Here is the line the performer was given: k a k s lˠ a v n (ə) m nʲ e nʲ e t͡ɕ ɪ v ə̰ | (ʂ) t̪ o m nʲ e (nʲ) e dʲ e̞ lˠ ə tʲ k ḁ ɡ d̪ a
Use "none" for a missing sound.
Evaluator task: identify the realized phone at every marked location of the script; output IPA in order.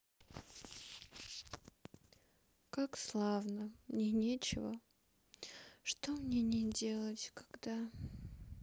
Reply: ə, ʂ, nʲ

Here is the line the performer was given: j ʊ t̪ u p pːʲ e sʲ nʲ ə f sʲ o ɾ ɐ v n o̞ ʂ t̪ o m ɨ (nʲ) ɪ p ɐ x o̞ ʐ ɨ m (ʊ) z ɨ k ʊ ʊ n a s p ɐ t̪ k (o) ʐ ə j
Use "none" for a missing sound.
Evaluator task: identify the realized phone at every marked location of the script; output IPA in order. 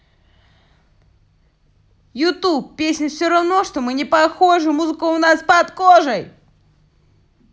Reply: nʲ, u, o

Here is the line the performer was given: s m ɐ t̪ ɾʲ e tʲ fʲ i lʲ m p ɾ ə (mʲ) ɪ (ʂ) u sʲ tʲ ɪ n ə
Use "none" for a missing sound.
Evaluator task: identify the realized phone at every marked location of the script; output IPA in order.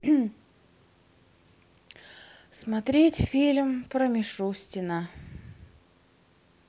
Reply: mʲ, ʂ

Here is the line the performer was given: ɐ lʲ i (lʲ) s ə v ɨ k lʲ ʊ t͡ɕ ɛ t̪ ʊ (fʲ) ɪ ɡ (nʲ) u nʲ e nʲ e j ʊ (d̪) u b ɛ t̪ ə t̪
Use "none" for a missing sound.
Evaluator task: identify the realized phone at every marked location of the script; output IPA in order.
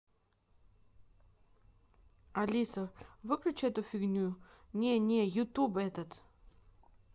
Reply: none, fʲ, nʲ, t̪

